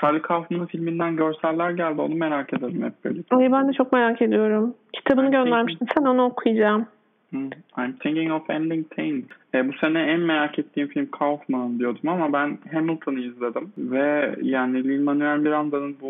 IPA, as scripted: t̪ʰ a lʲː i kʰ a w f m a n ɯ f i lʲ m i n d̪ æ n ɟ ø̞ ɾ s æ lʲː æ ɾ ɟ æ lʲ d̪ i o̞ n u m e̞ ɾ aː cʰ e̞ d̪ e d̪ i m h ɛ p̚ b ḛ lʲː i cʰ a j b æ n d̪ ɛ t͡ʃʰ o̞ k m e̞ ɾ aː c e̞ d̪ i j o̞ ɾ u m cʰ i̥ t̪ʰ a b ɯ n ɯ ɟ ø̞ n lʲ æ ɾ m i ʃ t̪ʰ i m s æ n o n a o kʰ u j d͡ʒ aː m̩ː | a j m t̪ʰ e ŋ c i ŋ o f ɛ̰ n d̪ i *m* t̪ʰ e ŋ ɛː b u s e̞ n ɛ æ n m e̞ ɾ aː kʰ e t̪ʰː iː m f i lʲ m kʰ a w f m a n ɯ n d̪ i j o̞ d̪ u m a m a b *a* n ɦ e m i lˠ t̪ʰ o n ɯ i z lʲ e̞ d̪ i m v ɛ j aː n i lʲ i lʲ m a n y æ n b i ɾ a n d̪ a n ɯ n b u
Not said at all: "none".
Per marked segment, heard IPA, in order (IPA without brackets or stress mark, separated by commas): ŋ, æ